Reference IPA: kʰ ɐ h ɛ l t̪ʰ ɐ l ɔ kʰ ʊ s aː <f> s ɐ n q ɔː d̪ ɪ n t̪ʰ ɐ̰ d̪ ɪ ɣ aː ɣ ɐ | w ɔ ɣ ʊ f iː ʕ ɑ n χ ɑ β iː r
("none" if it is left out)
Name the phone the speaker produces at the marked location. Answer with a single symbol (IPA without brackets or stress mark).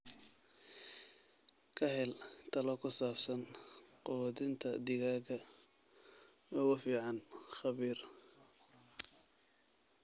f